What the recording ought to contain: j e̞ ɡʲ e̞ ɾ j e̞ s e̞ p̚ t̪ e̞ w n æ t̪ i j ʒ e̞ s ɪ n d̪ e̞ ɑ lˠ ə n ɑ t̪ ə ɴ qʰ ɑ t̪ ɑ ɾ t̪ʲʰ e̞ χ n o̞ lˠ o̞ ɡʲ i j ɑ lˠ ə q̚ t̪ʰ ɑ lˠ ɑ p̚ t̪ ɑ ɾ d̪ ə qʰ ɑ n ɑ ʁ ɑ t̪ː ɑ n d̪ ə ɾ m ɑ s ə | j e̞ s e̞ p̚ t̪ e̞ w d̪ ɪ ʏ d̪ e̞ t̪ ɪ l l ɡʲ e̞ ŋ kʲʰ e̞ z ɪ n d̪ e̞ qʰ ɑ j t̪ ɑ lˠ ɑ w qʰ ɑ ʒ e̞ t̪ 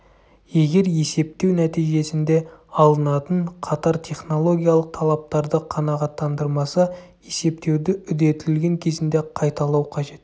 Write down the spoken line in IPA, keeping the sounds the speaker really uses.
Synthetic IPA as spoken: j e̞ ɡʲ e̞ ɾ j e̞ s e̞ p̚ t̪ e̞ w n æ t̪ i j ʒ e̞ s ɪ n d̪ e̞ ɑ lˠ ə n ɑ t̪ ə ɴ qʰ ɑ t̪ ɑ ɾ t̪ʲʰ e̞ χ n o̞ lˠ o̞ ɡʲ i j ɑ lˠ ə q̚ t̪ʰ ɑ lˠ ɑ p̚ t̪ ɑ ɾ d̪ ə qʰ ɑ n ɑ ʁ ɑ t̪ː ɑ n d̪ ə ɾ m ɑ s ɑ | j e̞ s e̞ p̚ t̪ e̞ w d̪ ɪ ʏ d̪ e̞ t̪ ɪ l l ɡʲ e̞ ŋ kʲʰ e̞ z ɪ n d̪ e̞ qʰ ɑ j t̪ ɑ lˠ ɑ w qʰ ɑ ʒ e̞ t̪

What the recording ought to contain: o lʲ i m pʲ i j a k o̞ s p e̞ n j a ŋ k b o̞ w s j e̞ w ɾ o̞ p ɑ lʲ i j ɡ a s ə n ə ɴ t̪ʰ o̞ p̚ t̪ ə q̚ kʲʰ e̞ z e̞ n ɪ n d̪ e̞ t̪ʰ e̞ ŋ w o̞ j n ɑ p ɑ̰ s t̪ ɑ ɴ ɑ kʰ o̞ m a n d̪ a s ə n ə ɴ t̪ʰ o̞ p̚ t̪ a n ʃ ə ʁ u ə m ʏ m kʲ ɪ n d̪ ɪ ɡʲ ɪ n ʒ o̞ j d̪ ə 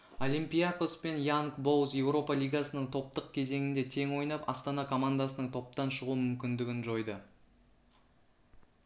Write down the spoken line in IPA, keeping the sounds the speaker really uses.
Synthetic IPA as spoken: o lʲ i m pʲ i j a k o̞ s p e̞ n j a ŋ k b o̞ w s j e̞ w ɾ o̞ p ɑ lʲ i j ɡ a s ə n ə ɴ t̪ʰ o̞ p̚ t̪ ə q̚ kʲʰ e̞ z e̞ ŋ ɪ n d̪ e̞ t̪ʰ e̞ ŋ w o̞ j n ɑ p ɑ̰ s t̪ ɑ n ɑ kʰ o̞ m a n d̪ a s ə n ə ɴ t̪ʰ o̞ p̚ t̪ ɑ n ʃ ə ʁ u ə m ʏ m kʲ ɪ n d̪ ɪ ɡʲ ɪ n ʒ o̞ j d̪ ə

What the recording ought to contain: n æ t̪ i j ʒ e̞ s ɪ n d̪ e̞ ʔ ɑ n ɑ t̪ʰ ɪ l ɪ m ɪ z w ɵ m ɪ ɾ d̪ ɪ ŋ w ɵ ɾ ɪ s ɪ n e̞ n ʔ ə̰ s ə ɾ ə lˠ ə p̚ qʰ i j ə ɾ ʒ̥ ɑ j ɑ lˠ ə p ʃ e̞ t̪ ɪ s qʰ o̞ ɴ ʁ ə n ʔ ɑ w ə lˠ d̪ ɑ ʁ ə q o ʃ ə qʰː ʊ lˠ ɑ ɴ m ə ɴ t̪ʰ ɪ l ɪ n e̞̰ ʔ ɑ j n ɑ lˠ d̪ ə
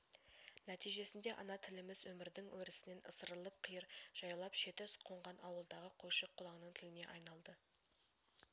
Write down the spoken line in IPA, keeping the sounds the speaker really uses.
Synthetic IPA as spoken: n æ t̪ i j ʒ e̞ s ɪ n d̪ e̞ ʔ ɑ n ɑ t̪ʰ ɪ l ɪ m ɪ z w ɵ m ɪ ɾ d̪ ɪ ŋ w ɵ ɾ ɪ s ɪ n e̞ n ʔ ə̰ s ə ɾ ə lˠ ə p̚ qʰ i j ə ɾ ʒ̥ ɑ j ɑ lˠ ɑ p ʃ e̞ t̪ ɪ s qʰ o̞ ɴ ʁ ɑ n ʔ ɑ w ə lˠ d̪ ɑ ʁ ə qʰ o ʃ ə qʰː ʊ lˠ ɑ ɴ n ə ɴ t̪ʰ ɪ l ɪ n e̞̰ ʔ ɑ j n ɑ lˠ d̪ ə

